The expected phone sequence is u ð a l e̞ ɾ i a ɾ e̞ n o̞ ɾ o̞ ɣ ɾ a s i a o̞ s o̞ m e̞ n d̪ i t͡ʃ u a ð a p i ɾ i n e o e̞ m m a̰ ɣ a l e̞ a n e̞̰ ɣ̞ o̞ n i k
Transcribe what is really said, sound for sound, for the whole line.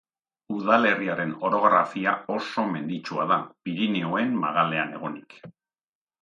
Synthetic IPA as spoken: u ð a l e̞ r i a ɾ e̞ n o̞ ɾ o̞ ɣ ɾ a f i a o̞ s o̞ m e̞ n d̪ i t͡ʃ u a ð a p i ɾ i n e o e̞ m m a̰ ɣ a l e̞ a n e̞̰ ɣ̞ o̞ n i k